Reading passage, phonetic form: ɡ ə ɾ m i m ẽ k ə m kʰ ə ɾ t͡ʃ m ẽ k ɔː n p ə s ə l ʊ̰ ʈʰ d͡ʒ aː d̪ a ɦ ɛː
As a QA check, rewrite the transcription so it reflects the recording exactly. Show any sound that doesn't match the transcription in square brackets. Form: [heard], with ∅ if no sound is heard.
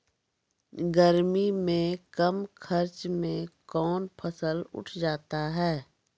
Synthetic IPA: ɡ ə ɾ m i m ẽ k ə m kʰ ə ɾ t͡ʃ m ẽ k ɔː n [pʰ] ə s ə l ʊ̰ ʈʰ d͡ʒ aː [t̪] a ɦ ɛː